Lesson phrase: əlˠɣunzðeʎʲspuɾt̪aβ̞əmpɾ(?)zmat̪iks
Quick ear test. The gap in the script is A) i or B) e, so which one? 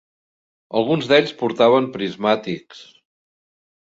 A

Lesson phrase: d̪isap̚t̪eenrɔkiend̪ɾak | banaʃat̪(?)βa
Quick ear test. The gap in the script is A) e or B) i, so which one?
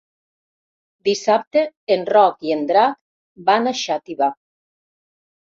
B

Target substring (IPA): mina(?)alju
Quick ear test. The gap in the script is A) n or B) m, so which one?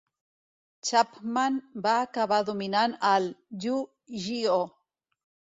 A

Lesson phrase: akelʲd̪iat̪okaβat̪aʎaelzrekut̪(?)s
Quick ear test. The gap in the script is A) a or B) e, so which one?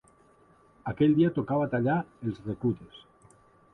B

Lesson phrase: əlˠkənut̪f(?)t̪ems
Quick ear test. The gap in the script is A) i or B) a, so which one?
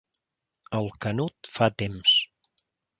B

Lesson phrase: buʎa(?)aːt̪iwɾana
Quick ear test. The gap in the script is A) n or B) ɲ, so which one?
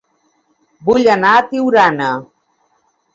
A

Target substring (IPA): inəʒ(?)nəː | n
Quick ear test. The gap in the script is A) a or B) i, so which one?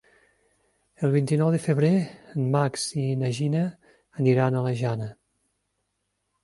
B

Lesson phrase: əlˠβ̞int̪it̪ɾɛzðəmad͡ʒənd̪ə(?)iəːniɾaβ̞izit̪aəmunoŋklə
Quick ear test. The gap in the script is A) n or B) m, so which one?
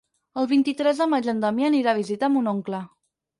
B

